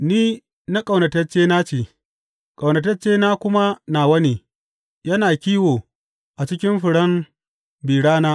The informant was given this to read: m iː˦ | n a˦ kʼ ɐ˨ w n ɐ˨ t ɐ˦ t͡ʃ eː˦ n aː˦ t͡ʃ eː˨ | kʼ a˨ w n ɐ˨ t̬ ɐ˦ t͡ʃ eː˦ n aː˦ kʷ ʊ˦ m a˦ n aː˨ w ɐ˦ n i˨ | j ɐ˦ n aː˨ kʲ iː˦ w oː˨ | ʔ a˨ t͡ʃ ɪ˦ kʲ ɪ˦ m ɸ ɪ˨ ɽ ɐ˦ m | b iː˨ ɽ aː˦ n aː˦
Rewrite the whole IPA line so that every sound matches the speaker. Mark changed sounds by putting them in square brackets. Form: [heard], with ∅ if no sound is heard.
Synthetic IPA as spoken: [n] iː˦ | n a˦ kʼ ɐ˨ w n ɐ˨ t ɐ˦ t͡ʃ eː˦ n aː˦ t͡ʃ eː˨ | kʼ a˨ w n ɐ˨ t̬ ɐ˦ t͡ʃ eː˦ n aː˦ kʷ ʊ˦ m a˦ n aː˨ w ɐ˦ n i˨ | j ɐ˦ n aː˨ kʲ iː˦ w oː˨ | ʔ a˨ t͡ʃ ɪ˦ kʲ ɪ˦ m ɸ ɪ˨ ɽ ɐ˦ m | b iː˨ ɽ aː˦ n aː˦